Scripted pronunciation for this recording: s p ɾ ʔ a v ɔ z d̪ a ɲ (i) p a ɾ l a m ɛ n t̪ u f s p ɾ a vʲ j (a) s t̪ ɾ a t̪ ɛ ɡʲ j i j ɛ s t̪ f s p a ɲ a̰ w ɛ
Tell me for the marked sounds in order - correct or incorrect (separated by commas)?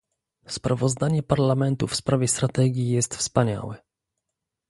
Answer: incorrect, incorrect